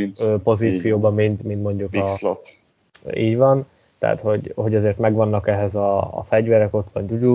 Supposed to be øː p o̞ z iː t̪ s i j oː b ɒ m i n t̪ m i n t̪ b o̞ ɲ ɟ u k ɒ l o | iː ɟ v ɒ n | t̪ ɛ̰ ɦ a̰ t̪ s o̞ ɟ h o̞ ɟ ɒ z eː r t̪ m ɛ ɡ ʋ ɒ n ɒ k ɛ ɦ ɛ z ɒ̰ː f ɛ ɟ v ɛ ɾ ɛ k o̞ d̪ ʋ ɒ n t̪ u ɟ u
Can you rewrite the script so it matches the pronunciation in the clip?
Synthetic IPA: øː p o̞ z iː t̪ s i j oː b ɒ m i n t̪ m i n t̪ m o̞ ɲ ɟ u k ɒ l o | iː ɟ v ɒ n | t̪ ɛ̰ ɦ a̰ t̪ h o̞ ɟ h o̞ ɟ ɒ z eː r t̪ m ɛ ɡ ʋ ɒ nː ɒ k ɛ ɦ ɛ z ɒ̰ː f ɛ ɟ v ɛ ɾ ɛ k o̞ t̪ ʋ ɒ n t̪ u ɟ u